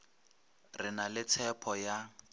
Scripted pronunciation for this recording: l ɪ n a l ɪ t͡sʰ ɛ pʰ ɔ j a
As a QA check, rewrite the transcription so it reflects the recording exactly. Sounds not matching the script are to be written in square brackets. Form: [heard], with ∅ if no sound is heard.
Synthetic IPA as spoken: [r] ɪ n a l ɪ t͡sʰ ɛ pʰ ɔ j a

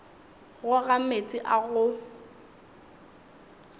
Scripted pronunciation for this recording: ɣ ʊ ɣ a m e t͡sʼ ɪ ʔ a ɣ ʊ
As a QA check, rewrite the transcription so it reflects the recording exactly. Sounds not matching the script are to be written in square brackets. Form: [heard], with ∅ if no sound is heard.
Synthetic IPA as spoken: ɣ ʊ ɣ a m e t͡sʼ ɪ ʔ a ɣ ʊ

